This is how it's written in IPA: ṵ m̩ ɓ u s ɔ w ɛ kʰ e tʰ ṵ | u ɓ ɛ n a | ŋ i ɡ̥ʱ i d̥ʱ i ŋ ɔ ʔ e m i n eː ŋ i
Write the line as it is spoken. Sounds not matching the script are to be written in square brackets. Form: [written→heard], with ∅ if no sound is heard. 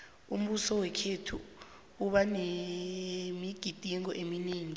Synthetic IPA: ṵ m̩ ɓ u s ɔ w ɛ kʰ e tʰ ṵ | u ɓ [ɛ→a] n [a→e] | [ŋ→m] i ɡ̥ʱ i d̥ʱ i ŋ ɔ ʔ e m i n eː ŋ i